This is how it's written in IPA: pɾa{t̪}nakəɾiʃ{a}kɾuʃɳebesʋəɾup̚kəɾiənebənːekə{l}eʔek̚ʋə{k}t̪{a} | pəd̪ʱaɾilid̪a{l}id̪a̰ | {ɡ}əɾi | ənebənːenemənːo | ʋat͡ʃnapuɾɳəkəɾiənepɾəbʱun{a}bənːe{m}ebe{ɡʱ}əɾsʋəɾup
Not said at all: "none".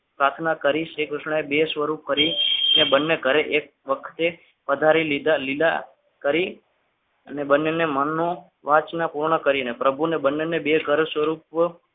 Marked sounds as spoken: t̪ʰ, e, ɾ, kʰ, e, l, k, e, n, ɡʱ

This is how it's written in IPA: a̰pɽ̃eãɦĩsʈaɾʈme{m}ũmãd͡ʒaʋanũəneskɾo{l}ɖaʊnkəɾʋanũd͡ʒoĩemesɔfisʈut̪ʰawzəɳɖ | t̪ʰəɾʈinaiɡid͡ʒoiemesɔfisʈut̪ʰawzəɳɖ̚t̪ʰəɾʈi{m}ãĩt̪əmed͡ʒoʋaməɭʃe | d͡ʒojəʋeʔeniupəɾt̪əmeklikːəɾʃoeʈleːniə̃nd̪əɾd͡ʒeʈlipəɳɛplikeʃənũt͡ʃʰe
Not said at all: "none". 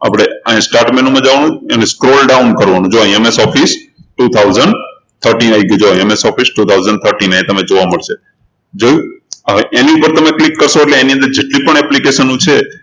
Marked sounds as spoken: n, l, n

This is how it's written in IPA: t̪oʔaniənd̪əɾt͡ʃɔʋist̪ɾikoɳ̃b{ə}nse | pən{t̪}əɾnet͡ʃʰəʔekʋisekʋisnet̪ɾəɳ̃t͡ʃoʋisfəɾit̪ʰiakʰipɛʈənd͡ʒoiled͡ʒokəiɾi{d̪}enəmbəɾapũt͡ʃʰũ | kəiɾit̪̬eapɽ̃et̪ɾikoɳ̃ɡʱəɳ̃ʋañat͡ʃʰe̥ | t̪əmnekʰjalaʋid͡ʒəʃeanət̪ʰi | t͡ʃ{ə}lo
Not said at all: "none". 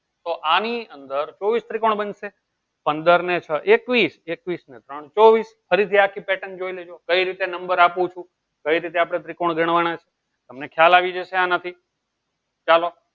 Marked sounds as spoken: ə, d̪, t̪, a

